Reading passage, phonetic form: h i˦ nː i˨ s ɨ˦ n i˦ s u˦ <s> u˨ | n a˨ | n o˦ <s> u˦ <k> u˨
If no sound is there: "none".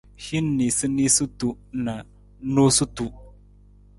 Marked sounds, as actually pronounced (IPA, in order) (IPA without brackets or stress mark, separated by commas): t, s, t